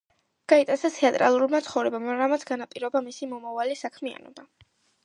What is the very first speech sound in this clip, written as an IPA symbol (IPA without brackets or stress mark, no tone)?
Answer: ɡ̥